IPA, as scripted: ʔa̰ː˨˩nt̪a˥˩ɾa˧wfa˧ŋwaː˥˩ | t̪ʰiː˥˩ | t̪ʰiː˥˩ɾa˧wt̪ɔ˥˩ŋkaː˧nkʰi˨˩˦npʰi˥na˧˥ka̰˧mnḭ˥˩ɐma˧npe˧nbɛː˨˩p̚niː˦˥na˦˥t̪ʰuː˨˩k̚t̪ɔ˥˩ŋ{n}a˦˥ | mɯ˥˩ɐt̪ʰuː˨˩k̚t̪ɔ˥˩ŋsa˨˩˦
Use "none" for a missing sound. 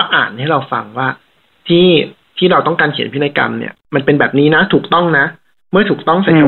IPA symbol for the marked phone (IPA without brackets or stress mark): n